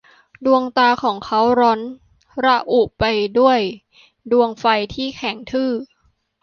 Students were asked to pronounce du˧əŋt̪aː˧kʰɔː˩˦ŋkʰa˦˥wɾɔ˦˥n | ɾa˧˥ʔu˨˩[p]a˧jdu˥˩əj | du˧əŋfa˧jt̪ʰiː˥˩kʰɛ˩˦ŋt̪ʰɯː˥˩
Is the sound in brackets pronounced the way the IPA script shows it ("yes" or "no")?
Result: yes